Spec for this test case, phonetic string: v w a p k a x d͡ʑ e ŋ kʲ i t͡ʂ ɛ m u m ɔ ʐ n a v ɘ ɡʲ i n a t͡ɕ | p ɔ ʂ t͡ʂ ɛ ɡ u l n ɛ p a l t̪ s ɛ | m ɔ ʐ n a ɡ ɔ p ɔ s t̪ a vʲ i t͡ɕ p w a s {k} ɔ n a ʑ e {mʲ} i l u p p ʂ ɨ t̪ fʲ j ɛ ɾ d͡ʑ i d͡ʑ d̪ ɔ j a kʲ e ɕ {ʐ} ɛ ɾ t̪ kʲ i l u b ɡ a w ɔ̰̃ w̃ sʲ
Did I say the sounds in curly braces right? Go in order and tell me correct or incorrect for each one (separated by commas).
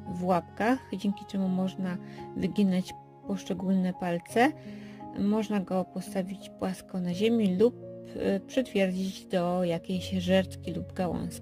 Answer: correct, correct, correct